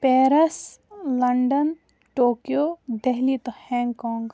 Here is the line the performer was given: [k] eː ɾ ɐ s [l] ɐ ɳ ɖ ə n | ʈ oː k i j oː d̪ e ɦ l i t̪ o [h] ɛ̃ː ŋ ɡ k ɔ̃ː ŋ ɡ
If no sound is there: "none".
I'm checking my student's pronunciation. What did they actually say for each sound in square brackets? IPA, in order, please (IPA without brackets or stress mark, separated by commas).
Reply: p, l, h